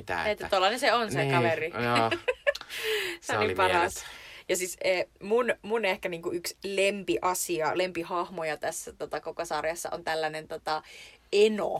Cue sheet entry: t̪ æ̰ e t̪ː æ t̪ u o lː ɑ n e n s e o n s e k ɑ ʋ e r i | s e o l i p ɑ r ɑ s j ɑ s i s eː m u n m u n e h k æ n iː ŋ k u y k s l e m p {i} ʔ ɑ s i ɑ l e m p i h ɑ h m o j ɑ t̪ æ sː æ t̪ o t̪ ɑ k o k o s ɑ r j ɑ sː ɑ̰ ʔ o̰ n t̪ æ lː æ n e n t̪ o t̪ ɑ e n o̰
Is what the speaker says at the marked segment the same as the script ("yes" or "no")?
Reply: yes